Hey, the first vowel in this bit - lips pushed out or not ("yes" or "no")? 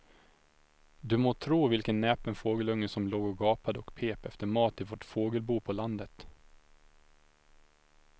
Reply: yes